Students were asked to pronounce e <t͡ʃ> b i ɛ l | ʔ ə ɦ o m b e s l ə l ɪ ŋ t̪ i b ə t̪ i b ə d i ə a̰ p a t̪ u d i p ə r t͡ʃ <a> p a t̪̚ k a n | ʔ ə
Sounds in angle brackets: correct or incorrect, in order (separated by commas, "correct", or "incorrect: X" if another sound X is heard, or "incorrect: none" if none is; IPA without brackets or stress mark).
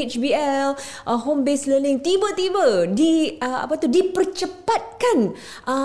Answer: correct, incorrect: ə